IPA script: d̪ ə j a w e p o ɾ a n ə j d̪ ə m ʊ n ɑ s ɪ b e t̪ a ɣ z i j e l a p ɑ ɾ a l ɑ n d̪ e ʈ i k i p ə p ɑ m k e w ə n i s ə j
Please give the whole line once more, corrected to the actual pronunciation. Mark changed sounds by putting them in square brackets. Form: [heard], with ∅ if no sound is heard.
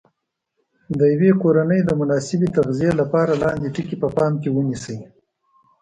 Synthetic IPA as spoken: d̪ ə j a w e [k] o ɾ a n ə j d̪ ə m ʊ n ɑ s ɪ b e t̪ a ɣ z i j e l a p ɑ ɾ a l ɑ n d̪ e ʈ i k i p ə p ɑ m k e w ə n i s ə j